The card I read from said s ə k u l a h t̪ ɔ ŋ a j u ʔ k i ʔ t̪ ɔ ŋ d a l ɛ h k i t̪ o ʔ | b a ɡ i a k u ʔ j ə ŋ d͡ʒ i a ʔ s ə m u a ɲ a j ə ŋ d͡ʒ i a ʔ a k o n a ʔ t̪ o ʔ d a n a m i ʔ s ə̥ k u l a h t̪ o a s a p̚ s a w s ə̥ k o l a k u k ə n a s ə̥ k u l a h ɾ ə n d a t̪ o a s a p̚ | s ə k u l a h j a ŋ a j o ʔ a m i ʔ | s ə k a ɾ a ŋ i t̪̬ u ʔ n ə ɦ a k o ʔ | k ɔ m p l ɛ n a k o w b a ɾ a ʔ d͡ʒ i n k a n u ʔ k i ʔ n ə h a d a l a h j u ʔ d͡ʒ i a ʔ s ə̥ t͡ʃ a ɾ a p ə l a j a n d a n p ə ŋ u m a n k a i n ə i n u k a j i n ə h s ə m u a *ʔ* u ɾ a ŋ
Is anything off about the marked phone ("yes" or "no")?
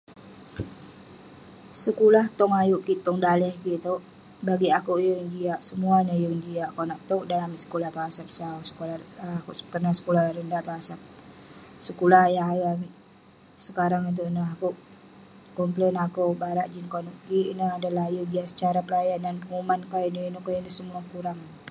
yes